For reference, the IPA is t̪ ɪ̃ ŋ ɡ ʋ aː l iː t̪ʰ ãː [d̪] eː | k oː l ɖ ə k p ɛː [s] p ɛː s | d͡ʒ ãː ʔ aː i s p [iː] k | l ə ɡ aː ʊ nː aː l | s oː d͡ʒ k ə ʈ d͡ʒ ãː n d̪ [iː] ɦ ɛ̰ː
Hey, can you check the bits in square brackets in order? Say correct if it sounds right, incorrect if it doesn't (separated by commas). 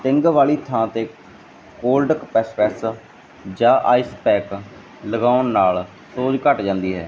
incorrect, correct, incorrect, correct